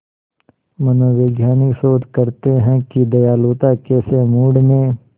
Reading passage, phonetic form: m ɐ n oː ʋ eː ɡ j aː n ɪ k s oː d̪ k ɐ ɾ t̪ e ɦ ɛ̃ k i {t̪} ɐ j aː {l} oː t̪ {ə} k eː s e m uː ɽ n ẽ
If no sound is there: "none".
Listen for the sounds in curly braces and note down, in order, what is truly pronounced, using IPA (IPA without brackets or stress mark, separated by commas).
d̪, l, a